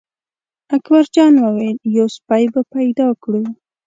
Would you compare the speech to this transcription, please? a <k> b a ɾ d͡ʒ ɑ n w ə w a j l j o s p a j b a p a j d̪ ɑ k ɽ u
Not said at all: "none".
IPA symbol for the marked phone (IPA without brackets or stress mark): k